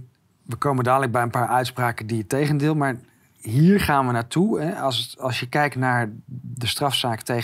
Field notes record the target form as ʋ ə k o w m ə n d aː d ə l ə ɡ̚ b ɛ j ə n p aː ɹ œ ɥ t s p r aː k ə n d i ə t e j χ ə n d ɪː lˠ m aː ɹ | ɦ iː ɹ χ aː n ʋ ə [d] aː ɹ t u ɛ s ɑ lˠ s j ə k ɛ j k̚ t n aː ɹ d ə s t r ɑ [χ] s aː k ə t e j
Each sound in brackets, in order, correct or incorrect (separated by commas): incorrect, incorrect